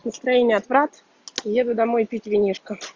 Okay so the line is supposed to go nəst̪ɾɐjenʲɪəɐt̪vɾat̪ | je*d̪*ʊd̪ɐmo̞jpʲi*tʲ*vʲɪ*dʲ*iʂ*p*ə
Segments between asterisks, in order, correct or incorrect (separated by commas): correct, correct, incorrect, incorrect